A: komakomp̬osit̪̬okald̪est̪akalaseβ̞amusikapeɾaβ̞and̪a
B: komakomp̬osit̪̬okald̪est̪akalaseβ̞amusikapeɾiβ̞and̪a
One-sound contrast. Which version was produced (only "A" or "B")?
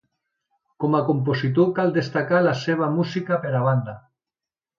A